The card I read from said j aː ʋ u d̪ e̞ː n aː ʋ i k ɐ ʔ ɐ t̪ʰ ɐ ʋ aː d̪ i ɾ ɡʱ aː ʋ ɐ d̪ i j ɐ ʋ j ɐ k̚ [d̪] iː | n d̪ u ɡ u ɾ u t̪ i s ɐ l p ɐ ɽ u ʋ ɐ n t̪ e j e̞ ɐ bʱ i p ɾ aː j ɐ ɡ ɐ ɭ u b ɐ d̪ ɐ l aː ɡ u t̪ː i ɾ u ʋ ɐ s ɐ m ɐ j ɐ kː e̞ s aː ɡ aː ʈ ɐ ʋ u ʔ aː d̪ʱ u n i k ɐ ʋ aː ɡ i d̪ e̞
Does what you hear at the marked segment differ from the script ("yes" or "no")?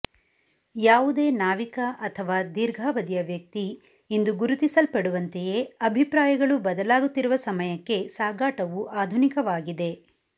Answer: yes